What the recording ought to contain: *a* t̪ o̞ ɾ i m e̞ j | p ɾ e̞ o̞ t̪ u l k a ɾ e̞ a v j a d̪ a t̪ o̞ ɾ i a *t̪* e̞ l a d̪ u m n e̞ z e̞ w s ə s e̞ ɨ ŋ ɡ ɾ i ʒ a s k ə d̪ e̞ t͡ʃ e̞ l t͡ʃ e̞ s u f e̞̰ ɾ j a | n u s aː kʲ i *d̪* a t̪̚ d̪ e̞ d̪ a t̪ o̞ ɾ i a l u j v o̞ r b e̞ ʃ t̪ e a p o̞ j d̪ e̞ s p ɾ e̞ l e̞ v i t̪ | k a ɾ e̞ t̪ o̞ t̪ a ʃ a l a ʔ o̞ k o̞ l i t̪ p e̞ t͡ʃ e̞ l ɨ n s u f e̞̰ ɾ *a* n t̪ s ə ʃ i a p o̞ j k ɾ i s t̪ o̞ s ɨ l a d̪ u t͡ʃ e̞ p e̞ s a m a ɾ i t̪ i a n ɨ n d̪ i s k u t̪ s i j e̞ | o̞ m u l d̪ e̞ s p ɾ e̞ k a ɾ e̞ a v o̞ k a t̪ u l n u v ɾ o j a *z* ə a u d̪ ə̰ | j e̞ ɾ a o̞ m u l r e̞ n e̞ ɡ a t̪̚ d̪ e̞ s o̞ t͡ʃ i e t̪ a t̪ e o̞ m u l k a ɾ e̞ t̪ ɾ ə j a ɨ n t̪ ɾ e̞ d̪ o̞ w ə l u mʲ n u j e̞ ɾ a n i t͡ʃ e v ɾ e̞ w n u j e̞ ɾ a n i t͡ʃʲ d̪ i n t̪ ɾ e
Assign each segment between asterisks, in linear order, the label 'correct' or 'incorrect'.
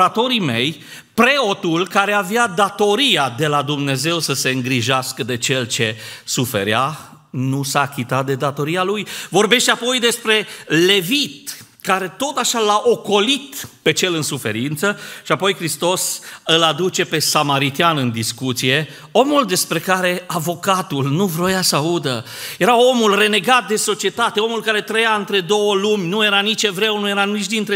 correct, incorrect, incorrect, incorrect, incorrect

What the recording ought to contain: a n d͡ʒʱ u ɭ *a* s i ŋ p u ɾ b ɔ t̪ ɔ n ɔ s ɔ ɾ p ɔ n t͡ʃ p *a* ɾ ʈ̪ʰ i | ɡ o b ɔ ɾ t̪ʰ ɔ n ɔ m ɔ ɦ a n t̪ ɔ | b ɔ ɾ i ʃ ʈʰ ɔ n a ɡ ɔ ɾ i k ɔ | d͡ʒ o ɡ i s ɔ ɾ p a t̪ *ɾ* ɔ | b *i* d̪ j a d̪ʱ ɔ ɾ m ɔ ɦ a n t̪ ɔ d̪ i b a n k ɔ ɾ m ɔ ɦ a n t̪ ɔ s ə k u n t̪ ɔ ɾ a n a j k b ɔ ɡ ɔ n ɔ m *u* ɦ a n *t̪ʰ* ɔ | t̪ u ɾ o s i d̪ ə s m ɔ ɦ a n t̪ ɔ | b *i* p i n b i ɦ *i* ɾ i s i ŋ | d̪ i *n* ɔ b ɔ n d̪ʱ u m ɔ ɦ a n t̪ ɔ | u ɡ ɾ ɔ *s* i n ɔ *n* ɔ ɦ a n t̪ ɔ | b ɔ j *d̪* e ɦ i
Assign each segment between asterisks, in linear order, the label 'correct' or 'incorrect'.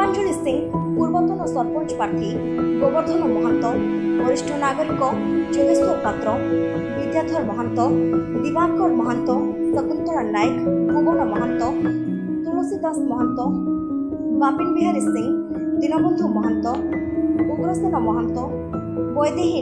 incorrect, correct, correct, correct, incorrect, incorrect, incorrect, incorrect, correct, correct, incorrect, correct

